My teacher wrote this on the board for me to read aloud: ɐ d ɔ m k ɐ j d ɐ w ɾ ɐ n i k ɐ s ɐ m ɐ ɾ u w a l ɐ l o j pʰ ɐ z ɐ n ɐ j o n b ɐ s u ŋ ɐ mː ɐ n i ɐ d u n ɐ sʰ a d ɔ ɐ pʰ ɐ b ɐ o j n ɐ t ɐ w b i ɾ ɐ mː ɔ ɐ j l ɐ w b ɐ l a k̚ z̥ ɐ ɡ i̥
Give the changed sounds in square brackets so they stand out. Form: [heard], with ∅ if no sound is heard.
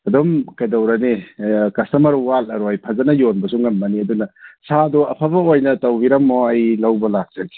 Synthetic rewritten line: ɐ d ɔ m k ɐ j d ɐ w ɾ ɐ n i k ɐ s ɐ m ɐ ɾ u w a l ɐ [ɾ] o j pʰ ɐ z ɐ n ɐ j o n b ɐ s u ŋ ɐ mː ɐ n i ɐ d u n ɐ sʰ a d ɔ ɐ pʰ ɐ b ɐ o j n ɐ t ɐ w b i ɾ ɐ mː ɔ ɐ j l ɐ w b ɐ l a k̚ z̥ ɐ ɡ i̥